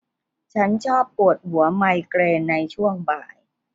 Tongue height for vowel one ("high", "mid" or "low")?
low